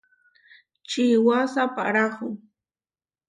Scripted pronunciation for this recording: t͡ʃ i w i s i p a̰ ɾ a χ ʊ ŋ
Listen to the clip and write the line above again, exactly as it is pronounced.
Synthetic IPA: t͡ʃ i w a s a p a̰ ɾ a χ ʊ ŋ